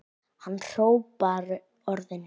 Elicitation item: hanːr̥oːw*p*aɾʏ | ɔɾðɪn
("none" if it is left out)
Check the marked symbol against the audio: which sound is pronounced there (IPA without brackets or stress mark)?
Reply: p